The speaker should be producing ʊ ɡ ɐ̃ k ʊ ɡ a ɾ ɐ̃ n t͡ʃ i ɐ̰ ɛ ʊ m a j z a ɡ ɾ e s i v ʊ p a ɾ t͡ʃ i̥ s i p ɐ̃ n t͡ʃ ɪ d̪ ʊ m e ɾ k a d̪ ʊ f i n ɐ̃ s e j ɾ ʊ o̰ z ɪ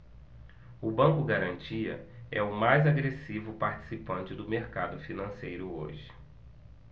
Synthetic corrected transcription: ʊ b ɐ̃ k ʊ ɡ a ɾ ɐ̃ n t͡ʃ i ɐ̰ ɛ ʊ m a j z a ɡ ɾ e s i v ʊ p a ɾ t͡ʃ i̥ s i p ɐ̃ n t͡ʃ ɪ d̪ ʊ m e ɾ k a d̪ ʊ f i n ɐ̃ s e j ɾ ʊ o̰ ʒ ɪ

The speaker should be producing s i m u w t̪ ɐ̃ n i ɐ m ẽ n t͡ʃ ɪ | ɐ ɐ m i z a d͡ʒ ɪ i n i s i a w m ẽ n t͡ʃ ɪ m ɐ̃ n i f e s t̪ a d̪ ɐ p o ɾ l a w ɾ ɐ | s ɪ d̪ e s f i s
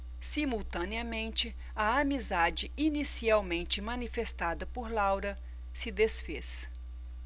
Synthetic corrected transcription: s i m u w t̪ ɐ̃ n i ɐ m ẽ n t͡ʃ ɪ | ɐ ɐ m i z a d͡ʒ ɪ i n i s i a w m ẽ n t͡ʃ ɪ m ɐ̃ n i f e s t̪ a d̪ ɐ p o ɾ l a w ɾ ɐ | s ɪ d̪ e s f e s

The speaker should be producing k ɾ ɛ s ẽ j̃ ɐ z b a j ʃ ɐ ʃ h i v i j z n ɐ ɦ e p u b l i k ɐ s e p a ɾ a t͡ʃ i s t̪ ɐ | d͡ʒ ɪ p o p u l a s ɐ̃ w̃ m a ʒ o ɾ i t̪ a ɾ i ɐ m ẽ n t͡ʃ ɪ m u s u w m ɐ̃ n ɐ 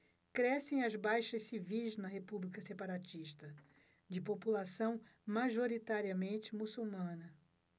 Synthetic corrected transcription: k ɾ ɛ s ẽ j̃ ɐ z b a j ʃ ɐ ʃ s i v i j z n ɐ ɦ e p u b l i k ɐ s e p a ɾ a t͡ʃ i ʃ t̪ ɐ | d͡ʒ ɪ p o p u l a s ɐ̃ w̃ m a ʒ o ɾ i t̪ a ɾ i ɐ m ẽ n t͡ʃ ɪ m u s u w m ɐ̃ n ɐ

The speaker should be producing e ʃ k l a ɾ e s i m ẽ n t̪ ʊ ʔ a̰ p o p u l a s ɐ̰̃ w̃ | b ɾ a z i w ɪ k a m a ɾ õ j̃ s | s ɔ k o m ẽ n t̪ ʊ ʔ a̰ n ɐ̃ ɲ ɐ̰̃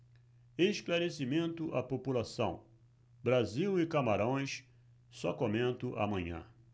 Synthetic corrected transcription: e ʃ k l a ɾ e s i m ẽ n t̪ ʊ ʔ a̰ p o p u l a s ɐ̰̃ w̃ | b ɾ a z i w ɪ k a m a ɾ õ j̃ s | s ɔ k o m ẽ n t̪ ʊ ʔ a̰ m ɐ̃ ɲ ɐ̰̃

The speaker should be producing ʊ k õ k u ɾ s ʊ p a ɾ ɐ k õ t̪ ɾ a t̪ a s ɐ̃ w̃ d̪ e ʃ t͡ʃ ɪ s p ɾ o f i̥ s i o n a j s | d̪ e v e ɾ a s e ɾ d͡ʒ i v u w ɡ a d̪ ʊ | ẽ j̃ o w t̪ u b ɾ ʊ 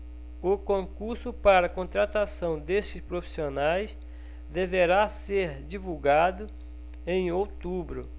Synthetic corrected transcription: ʊ k õ k u ɾ s ʊ p a ɾ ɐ k õ t̪ ɾ a t̪ a s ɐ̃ w̃ d̪ e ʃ t͡ʃ ɪ s p ɾ o f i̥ s i o n a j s | d̪ e v e ɾ a s e ɾ d͡ʒ i v u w ɡ a d̪ ʊ | ẽ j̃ o w t̪ u b ɾ ʊ

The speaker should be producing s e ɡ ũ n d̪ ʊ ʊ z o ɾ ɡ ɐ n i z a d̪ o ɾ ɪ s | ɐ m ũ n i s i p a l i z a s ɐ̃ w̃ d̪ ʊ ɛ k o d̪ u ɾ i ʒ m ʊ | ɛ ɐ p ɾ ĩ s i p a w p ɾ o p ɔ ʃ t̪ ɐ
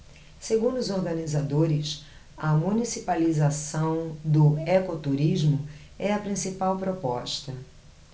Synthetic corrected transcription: s e ɡ ũ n d̪ ʊ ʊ z o ɾ ɡ ɐ n i z a d̪ o ɾ ɪ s | ɐ m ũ n i s i p a l i z a s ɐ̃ w̃ d̪ ʊ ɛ k o t̪ u ɾ i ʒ m ʊ | ɛ ɐ p ɾ ĩ s i p a w p ɾ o p ɔ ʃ t̪ ɐ

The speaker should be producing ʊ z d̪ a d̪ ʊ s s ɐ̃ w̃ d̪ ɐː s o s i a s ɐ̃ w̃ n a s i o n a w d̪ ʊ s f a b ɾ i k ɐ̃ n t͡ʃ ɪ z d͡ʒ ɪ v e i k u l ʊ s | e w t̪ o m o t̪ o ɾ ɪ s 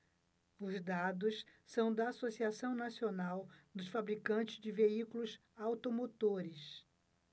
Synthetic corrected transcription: ʊ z d̪ a d̪ ʊ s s ɐ̃ w̃ d̪ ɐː s o s i a s ɐ̃ w̃ n a s i o n a w d̪ ʊ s f a b ɾ i k ɐ̃ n t͡ʃ ɪ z d͡ʒ ɪ v e i k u l ʊ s | a w t̪ o m o t̪ o ɾ ɪ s

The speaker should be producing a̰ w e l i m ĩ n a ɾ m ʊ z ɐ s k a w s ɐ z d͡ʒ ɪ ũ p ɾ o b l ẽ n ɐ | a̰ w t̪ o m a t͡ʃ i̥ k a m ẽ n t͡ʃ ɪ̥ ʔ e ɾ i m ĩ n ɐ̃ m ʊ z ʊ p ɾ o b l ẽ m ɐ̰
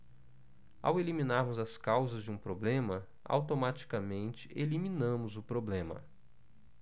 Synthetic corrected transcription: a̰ w e l i m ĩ n a ɾ m ʊ z ɐ s k a w z ɐ z d͡ʒ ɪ ũ p ɾ o b l ẽ m ɐ | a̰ w t̪ o m a t͡ʃ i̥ k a m ẽ n t͡ʃ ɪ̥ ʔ e l i m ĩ n ɐ̃ m ʊ z ʊ p ɾ o b l ẽ m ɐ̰

